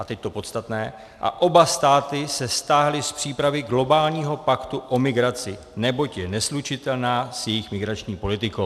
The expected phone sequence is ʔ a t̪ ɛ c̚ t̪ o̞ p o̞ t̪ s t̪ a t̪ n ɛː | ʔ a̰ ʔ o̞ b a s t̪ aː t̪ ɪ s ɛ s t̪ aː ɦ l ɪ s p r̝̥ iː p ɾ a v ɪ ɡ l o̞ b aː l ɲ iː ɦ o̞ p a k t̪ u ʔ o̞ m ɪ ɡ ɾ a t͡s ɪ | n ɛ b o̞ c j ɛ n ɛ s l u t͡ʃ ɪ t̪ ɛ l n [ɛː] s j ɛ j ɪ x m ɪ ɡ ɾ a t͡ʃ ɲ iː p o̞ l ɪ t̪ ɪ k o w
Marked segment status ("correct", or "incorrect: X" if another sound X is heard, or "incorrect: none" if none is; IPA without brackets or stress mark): incorrect: aː